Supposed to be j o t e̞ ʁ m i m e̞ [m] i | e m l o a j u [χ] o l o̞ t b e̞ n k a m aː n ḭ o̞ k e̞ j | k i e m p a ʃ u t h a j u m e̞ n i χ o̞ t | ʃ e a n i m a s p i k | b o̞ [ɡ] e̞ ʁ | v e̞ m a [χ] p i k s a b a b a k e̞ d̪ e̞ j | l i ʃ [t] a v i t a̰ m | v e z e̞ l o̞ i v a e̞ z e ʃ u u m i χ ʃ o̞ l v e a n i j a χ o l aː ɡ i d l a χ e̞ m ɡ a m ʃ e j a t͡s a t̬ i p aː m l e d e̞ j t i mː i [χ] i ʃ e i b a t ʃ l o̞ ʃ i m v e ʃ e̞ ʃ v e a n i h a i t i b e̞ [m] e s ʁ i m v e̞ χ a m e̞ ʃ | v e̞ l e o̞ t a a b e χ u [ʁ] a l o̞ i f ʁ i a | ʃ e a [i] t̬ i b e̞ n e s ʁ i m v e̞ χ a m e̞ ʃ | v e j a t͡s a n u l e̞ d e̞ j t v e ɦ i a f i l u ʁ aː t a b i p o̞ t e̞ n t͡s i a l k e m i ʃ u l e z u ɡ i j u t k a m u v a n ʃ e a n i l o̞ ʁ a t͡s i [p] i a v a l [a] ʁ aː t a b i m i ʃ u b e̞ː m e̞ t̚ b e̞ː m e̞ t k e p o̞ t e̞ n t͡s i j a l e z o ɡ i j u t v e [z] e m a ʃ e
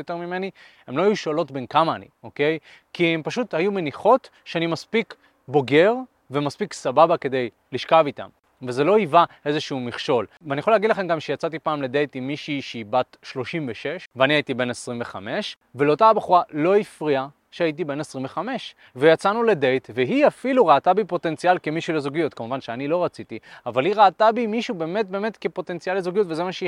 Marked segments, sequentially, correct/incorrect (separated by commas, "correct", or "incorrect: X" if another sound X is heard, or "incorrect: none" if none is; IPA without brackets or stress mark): incorrect: n, incorrect: ʃ, correct, incorrect: s, incorrect: k, incorrect: ʃ, incorrect: n, correct, correct, incorrect: t, incorrect: i, correct